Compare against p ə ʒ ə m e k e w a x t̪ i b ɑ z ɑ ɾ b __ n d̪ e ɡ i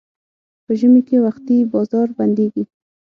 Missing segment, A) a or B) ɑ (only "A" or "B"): A